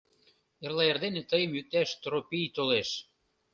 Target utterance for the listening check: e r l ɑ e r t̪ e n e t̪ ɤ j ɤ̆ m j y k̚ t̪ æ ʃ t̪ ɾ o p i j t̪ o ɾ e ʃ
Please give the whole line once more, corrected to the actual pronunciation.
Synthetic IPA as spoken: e r l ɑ e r d̪ e n e t̪ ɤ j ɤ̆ m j y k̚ t̪ æ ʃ t̪ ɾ o p i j t̪ o l e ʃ